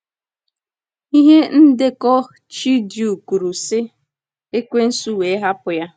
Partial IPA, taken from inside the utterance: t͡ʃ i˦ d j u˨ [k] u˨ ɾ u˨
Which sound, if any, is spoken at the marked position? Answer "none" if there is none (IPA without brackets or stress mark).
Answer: k